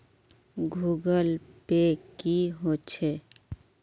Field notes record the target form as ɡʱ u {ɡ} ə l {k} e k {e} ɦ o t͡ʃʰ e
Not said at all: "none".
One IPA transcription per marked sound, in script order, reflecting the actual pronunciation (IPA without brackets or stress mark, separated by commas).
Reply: ɡ, p, i